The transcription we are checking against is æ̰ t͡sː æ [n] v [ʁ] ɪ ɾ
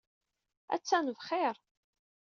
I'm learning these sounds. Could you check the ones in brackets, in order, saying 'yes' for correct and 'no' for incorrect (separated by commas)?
yes, no